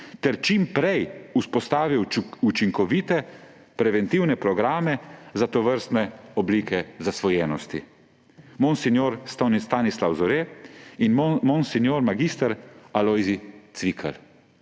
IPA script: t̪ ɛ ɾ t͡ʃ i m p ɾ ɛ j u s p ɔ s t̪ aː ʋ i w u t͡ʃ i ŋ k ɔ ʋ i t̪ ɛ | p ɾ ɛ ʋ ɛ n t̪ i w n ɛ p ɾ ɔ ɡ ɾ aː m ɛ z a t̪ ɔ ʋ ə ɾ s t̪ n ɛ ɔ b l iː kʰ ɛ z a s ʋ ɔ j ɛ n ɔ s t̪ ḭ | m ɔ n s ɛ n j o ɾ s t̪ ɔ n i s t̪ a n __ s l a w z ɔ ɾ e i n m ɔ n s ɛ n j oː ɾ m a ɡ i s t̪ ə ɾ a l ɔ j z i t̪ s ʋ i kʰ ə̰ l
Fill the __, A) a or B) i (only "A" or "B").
B